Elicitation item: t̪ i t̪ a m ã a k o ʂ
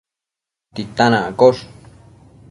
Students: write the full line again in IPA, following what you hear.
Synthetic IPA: t̪ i t̪ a n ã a k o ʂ